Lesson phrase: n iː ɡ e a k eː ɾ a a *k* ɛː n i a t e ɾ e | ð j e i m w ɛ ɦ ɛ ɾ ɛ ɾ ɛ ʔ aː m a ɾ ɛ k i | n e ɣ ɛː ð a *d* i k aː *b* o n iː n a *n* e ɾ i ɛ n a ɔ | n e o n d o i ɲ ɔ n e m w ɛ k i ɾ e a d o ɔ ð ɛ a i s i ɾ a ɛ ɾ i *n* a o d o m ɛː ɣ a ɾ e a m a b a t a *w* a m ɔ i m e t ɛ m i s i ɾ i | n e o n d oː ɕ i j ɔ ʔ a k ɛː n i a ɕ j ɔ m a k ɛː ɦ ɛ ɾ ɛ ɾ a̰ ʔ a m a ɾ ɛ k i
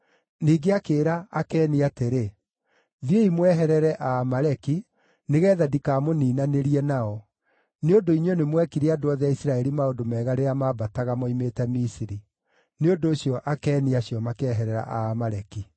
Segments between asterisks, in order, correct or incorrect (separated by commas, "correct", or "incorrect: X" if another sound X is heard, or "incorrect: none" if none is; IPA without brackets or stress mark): correct, correct, incorrect: m, correct, incorrect: m, incorrect: ɣ